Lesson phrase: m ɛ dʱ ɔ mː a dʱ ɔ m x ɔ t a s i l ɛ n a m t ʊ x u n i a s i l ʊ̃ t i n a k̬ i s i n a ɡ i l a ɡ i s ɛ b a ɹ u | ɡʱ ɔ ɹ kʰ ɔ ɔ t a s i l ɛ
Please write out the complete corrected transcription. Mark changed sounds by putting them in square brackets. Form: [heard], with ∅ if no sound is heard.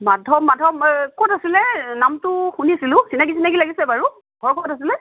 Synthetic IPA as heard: m [a] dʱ ɔ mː a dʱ ɔ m [k] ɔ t a s i l ɛ n a m t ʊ x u n i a s i l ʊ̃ [s] i n a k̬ i s i n a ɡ i l a ɡ i s ɛ b a ɹ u | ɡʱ ɔ ɹ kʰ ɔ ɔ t a s i l ɛ